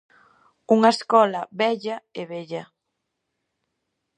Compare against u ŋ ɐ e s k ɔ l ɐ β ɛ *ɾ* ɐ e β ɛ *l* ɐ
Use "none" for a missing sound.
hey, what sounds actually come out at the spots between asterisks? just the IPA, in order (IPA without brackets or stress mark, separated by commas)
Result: ʎ, ʎ